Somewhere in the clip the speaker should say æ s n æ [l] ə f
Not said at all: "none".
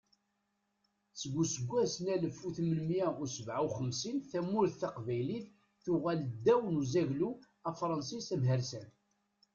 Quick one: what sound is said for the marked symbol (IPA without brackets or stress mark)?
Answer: l